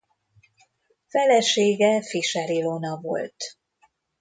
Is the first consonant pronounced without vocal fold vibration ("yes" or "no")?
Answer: yes